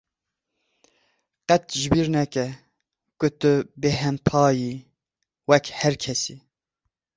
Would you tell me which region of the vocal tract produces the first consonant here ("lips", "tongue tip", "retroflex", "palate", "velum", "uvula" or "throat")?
uvula